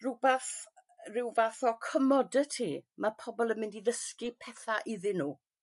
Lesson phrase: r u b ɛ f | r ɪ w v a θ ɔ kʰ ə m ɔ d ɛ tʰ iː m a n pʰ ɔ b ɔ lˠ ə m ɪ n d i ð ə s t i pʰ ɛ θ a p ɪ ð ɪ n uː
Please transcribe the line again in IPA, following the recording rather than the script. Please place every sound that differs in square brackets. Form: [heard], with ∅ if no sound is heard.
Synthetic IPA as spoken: r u b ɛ [θ] | r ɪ w v a θ ɔ kʰ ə m ɔ d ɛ tʰ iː m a [∅] pʰ ɔ b ɔ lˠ ə m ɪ n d i ð ə s [k] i pʰ ɛ θ a [ʔ] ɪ ð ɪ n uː